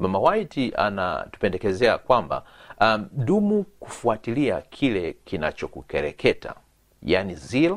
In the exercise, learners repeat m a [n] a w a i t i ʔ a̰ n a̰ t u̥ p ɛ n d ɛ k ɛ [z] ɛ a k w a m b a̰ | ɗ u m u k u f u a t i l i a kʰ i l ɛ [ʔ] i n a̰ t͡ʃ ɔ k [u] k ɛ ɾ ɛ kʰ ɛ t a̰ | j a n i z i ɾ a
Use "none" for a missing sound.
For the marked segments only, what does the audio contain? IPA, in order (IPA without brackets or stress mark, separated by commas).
m, z, k, u